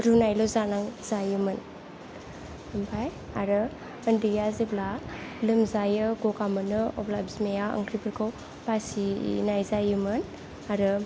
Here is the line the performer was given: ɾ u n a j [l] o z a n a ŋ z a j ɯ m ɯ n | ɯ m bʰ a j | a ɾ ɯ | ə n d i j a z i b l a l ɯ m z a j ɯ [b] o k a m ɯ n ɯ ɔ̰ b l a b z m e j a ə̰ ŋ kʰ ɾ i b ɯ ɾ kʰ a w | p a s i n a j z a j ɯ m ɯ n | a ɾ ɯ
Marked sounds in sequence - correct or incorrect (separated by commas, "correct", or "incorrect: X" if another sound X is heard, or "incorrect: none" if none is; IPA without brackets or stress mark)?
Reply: correct, incorrect: ɡ